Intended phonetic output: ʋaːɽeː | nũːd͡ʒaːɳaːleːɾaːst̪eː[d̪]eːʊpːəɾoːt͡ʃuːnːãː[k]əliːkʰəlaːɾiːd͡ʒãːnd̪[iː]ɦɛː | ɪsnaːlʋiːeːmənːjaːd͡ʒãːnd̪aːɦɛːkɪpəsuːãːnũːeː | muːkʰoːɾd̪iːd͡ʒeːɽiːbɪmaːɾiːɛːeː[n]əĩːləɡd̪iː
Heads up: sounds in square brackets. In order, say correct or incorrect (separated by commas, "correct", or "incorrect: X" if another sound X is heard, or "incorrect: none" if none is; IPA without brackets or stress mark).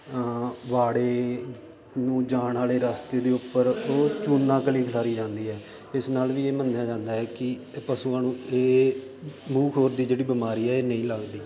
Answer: correct, correct, correct, correct